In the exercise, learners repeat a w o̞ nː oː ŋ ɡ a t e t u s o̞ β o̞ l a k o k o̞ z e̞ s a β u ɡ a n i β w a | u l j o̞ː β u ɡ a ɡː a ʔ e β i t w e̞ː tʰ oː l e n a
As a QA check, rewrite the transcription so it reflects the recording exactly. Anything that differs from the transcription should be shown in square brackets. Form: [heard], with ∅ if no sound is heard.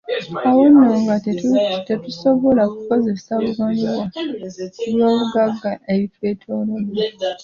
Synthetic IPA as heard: a w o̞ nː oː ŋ ɡ a t e t u s o̞ β o̞ l a k [u] k o̞ z e̞ s a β u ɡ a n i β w a | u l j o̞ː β u ɡ a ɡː a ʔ e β i t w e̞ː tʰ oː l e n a